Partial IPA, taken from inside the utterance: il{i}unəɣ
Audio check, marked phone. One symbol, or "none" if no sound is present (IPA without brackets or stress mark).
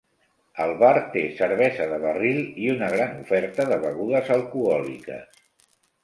i